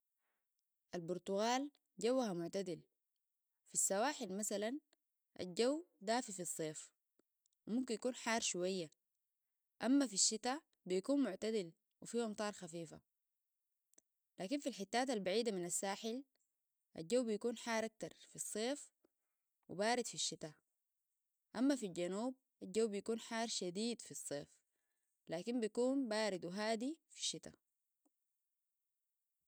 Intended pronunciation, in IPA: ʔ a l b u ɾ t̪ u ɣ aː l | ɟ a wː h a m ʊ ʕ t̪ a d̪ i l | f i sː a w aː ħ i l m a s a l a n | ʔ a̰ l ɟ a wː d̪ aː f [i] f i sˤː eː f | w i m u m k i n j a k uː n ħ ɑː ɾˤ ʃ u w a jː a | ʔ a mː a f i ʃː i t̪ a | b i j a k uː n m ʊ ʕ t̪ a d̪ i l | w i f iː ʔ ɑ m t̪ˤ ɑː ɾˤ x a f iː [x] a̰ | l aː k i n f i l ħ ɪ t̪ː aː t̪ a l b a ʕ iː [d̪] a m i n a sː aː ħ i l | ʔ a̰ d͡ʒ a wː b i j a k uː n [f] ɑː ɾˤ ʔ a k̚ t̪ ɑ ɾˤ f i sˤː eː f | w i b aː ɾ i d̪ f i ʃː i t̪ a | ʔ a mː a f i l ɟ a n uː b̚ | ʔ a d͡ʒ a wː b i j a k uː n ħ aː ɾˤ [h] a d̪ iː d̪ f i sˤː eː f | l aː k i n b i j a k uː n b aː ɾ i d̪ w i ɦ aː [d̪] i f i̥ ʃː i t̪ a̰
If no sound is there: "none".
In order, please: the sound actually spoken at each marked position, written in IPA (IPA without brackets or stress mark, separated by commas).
i, f, d̪, ħ, ʃ, d̪